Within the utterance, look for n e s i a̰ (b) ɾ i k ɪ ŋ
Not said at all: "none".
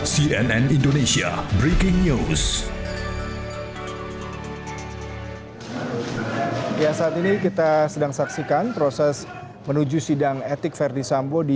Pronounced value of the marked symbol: b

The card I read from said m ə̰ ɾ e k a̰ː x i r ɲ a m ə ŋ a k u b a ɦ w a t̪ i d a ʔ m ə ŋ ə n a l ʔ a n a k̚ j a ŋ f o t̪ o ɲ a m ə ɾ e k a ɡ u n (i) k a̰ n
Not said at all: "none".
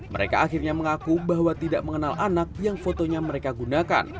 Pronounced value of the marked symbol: a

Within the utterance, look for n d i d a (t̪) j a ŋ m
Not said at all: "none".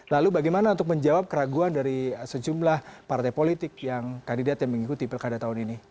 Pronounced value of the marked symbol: t̪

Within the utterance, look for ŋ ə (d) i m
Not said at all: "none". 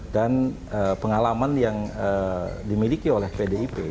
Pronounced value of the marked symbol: d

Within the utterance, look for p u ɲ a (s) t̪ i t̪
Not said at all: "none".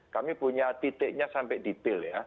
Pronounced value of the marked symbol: none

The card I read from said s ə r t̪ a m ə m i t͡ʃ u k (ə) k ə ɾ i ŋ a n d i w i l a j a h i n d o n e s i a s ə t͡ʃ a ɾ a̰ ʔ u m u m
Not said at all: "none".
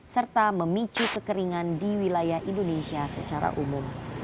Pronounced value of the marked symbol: ə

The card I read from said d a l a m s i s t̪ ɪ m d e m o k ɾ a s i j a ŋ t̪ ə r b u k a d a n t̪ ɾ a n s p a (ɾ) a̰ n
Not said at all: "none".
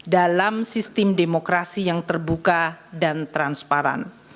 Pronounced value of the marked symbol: ɾ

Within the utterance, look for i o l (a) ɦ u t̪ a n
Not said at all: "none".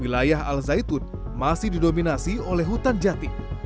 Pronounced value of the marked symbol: ɛ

